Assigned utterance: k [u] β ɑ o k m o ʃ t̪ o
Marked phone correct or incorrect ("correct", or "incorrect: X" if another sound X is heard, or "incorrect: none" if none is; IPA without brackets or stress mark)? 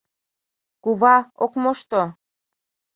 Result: correct